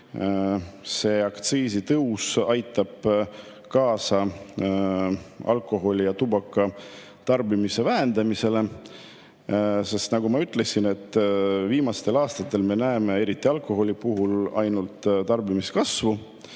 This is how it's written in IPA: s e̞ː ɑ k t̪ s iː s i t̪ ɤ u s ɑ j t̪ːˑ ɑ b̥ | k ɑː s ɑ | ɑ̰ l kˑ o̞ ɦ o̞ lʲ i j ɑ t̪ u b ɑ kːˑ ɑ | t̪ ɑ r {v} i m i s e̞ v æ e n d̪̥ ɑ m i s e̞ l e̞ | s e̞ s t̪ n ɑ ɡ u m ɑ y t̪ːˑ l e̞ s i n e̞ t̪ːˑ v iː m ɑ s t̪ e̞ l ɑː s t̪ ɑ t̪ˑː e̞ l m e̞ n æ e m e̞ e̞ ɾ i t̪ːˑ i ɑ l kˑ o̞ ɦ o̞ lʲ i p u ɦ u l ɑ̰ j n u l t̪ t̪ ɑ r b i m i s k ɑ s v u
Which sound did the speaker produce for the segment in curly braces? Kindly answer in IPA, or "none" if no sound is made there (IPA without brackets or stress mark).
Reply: b